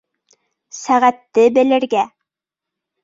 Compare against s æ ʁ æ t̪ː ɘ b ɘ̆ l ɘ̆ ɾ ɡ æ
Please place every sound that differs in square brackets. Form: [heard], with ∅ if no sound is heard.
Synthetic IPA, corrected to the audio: s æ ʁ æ t̪ː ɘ b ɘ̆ l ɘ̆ ɾ ɡ æ